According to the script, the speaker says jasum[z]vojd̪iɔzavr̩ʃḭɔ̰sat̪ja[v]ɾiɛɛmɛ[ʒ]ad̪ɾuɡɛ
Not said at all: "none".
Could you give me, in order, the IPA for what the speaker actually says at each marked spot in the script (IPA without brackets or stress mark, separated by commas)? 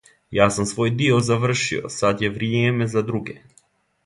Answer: s, v, z